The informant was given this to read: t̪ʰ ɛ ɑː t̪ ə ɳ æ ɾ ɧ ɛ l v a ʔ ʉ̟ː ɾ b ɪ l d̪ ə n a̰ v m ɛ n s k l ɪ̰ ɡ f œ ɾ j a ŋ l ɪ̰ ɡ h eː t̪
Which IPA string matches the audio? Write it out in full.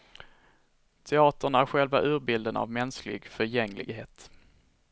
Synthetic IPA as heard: t̪ʰ ɛ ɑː t̪ ə ɳ æ ɾ ɧ ɛ l v a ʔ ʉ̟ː ɾ b ɪ l d̪ ə n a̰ v m ɛ n s k l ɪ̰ ɡ f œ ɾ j ɛ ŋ l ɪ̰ ɡ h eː t̪